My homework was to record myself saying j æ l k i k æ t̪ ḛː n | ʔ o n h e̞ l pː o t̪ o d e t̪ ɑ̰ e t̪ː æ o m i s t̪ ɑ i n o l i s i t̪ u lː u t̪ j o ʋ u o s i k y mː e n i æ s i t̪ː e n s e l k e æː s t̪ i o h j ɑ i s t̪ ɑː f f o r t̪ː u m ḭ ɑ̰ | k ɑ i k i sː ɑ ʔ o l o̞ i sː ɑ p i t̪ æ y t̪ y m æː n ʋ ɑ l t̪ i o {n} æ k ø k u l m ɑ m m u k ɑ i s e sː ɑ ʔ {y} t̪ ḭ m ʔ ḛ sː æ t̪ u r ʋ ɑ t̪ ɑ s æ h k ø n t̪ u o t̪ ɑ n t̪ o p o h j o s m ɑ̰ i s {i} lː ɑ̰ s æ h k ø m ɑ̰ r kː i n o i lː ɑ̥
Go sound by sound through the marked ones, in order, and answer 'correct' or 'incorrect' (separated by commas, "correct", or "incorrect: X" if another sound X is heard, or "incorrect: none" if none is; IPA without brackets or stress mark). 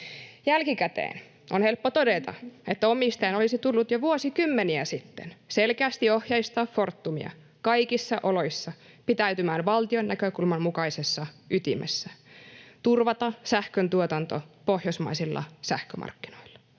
incorrect: nː, correct, correct